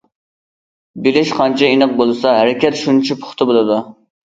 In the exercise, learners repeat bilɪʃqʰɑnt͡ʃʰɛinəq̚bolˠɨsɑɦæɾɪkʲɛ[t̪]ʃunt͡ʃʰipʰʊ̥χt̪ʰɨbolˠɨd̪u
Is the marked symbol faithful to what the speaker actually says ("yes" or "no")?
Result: yes